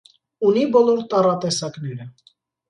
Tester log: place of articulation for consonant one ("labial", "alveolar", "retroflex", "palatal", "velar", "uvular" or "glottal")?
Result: alveolar